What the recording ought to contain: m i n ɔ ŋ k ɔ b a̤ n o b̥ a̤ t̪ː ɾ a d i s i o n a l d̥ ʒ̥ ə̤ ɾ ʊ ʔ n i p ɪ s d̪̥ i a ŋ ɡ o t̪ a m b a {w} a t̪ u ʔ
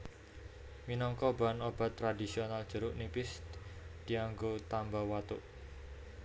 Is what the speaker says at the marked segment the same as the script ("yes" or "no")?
yes